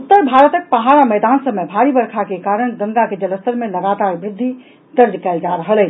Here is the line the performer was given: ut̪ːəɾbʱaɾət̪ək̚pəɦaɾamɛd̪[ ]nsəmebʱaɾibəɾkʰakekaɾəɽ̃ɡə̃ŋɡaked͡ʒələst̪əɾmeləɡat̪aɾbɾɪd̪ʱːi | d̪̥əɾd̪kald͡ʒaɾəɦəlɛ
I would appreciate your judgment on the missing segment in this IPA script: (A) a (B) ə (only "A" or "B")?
A